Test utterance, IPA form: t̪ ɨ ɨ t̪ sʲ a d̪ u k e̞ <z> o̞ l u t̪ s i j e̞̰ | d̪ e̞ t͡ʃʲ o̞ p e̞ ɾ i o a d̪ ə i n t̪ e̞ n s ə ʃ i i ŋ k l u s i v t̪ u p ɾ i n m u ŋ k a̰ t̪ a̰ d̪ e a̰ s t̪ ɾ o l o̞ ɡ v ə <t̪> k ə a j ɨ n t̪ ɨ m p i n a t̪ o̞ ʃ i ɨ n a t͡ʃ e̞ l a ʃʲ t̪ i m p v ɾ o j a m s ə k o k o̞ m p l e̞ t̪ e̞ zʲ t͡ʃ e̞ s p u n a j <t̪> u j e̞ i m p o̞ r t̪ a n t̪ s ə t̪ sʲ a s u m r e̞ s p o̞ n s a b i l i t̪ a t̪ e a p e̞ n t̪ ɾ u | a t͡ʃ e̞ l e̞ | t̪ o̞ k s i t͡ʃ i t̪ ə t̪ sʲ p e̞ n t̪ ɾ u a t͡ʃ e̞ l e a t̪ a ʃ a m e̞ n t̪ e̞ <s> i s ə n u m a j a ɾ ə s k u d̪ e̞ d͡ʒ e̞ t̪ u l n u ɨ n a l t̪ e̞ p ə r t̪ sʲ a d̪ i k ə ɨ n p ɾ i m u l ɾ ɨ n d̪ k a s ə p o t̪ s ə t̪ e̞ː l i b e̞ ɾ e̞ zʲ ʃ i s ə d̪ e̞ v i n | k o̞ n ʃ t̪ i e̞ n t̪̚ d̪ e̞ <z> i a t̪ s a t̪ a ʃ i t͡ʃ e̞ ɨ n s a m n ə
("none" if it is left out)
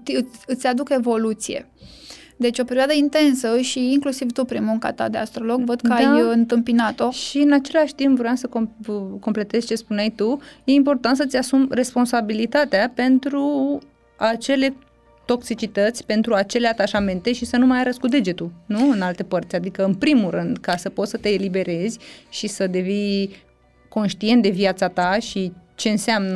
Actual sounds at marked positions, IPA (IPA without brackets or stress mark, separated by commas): v, d̪, t̪, ʃ, v